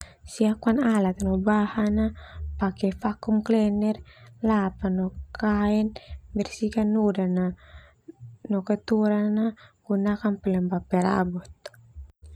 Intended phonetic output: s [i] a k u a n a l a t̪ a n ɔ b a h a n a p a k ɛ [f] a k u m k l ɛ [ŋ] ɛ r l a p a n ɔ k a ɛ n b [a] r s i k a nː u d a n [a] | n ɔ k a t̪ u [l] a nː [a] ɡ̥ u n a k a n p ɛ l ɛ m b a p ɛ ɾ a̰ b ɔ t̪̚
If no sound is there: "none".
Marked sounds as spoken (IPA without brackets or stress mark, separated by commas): i, f, n, ɛ, a, ɾ, a